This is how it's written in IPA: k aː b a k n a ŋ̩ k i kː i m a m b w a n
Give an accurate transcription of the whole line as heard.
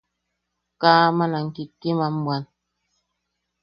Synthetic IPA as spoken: k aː m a n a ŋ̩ k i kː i m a m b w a n